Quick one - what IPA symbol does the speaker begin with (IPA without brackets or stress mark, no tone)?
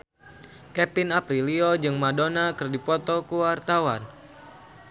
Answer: k